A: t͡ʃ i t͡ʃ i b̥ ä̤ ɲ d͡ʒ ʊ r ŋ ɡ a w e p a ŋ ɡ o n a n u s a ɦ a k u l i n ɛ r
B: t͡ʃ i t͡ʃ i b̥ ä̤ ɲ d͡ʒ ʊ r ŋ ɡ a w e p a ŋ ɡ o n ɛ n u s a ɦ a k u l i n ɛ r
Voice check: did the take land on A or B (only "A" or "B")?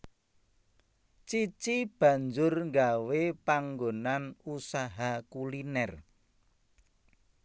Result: A